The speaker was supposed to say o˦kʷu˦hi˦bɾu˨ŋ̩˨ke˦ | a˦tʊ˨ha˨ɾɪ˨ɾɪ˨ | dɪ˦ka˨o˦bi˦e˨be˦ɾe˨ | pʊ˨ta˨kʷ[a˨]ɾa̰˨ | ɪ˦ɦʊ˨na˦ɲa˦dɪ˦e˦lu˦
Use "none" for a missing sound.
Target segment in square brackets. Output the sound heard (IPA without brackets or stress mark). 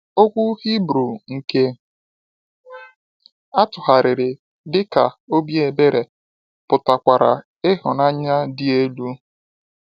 a˨